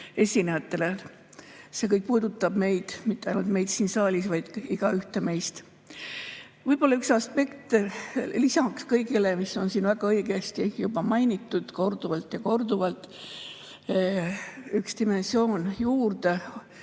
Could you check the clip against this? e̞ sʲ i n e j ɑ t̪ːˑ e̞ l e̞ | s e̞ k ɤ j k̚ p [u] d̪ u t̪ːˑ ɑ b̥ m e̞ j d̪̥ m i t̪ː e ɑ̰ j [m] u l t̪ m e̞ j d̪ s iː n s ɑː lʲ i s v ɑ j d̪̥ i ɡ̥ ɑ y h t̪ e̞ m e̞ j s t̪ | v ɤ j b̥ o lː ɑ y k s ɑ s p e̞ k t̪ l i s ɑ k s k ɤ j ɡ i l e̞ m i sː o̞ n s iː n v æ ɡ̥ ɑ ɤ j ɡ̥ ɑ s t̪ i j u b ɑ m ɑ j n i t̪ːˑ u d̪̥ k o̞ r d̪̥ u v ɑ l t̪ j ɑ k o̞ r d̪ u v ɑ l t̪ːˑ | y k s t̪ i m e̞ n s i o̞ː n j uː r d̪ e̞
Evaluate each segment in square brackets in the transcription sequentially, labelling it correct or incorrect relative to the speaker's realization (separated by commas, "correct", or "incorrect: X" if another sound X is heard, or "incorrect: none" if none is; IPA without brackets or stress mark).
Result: incorrect: uː, incorrect: n